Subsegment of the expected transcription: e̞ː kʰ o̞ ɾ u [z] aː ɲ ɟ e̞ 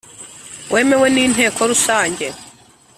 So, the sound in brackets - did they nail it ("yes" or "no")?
no